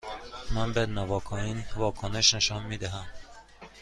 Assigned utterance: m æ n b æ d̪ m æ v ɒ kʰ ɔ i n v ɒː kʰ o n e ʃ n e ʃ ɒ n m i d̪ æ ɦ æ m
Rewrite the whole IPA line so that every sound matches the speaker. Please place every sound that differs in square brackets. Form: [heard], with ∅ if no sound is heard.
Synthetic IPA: m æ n b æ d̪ [n] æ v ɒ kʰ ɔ i n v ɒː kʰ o n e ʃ n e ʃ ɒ n m i d̪ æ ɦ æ m